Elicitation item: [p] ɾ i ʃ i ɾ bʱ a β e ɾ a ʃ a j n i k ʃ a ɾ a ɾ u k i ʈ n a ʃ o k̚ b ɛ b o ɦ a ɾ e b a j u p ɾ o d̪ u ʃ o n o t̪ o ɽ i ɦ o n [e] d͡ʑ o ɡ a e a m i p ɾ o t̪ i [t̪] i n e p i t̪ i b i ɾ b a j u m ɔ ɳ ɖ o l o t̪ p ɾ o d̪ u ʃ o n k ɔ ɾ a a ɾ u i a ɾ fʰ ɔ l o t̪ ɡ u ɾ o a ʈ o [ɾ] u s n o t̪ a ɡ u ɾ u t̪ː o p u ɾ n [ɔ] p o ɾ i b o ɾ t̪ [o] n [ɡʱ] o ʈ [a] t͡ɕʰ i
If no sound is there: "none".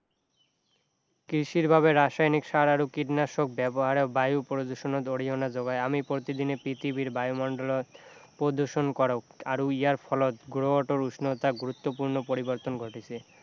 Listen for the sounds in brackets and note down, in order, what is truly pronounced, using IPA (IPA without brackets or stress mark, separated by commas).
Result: k, a, d̪, ɾ, o, o, ɡʱ, i